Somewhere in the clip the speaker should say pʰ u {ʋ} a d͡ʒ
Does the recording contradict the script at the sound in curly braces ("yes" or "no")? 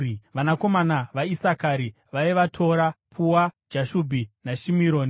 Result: yes